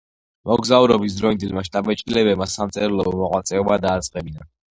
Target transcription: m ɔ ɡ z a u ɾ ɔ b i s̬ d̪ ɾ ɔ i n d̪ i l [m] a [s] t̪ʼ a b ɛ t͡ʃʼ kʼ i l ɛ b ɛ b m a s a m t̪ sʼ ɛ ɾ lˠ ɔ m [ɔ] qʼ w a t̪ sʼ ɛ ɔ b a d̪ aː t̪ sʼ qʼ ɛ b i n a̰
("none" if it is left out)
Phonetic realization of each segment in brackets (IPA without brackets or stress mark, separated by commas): m, ʃ, ɔ